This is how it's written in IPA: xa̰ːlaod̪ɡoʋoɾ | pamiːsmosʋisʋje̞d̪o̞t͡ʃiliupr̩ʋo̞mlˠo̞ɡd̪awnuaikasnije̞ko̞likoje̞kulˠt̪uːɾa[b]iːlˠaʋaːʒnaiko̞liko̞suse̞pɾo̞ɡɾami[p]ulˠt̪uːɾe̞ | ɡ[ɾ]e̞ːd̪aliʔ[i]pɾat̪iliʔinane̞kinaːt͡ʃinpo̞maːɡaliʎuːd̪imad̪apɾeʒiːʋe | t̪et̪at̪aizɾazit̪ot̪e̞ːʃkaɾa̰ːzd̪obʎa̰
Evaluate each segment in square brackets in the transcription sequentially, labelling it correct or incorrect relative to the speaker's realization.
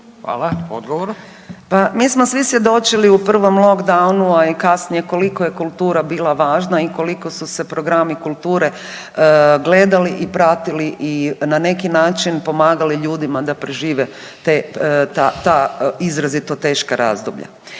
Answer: correct, incorrect: k, incorrect: l, correct

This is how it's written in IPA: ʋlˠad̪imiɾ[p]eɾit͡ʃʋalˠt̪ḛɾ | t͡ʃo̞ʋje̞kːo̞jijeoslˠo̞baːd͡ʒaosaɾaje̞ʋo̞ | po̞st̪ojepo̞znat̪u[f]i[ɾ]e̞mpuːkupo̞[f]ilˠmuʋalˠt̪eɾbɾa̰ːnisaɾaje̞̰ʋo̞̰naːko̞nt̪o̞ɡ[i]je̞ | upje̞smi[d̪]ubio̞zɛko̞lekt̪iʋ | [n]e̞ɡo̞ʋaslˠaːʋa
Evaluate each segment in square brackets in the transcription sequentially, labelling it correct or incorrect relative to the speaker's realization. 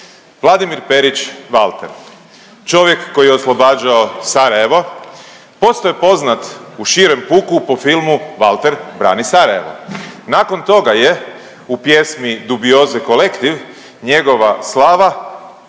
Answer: correct, incorrect: ʃ, correct, correct, incorrect: a, correct, incorrect: ɲ

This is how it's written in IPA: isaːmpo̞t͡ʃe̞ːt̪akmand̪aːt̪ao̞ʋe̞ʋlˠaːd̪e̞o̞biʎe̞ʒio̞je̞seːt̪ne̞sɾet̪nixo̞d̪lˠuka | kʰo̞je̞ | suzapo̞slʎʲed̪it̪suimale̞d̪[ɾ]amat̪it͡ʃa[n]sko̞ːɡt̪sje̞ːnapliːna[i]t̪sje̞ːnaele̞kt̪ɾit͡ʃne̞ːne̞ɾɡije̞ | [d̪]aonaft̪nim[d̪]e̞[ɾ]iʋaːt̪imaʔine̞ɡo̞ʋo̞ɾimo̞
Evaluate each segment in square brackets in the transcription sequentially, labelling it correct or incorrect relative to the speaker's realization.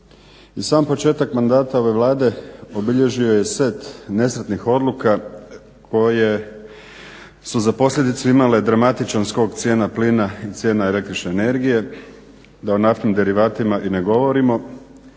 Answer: correct, correct, correct, correct, correct, correct

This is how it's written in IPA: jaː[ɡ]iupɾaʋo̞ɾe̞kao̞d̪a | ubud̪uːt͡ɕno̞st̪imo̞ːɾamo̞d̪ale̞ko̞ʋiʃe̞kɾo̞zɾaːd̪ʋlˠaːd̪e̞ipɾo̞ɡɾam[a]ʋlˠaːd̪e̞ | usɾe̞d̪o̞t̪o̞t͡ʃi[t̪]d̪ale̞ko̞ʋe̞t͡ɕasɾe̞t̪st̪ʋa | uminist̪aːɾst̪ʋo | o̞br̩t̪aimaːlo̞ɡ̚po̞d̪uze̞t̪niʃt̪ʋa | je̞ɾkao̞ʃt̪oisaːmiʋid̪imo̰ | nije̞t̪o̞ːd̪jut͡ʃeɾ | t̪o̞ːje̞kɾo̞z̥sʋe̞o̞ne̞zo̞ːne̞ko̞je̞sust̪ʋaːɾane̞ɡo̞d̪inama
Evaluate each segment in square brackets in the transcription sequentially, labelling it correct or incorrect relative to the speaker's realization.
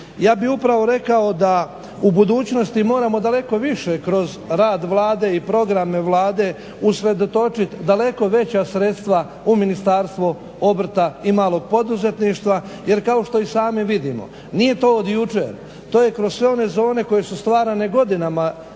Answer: incorrect: b, incorrect: e, correct

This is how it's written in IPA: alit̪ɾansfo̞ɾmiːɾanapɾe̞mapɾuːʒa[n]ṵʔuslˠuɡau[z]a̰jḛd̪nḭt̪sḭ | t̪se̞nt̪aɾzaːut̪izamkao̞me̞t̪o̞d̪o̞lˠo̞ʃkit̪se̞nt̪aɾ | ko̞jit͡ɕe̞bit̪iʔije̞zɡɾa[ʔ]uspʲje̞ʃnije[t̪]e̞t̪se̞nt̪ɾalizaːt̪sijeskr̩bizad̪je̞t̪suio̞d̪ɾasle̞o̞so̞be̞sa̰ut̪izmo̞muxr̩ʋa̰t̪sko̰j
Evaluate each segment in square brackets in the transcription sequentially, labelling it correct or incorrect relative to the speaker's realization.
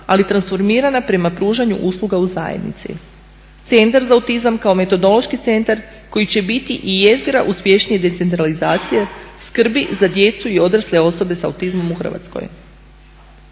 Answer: incorrect: ɲ, correct, correct, incorrect: d̪

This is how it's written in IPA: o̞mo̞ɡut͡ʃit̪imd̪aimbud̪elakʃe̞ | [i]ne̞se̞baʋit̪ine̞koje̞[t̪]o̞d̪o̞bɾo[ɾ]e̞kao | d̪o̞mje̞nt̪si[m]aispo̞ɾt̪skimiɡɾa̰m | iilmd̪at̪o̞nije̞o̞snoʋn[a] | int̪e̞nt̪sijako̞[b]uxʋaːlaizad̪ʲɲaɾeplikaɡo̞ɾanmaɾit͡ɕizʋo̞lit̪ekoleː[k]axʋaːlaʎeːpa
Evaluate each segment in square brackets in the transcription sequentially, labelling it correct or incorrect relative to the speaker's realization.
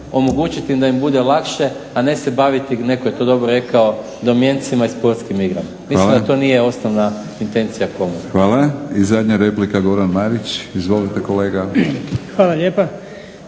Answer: incorrect: a, correct, correct, correct, correct, incorrect: m, incorrect: ɡ

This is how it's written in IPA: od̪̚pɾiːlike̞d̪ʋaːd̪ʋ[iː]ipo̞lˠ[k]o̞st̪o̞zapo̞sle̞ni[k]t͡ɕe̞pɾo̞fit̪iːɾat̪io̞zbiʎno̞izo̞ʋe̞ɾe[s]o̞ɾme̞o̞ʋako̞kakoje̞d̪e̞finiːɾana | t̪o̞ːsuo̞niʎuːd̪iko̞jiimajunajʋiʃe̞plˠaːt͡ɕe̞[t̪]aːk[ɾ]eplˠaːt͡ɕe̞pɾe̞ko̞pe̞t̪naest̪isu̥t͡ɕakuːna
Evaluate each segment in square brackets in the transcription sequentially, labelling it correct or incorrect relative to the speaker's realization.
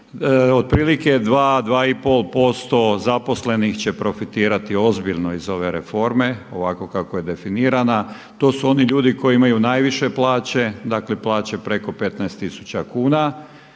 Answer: incorrect: aː, incorrect: p, incorrect: x, incorrect: f, incorrect: d̪, incorrect: l

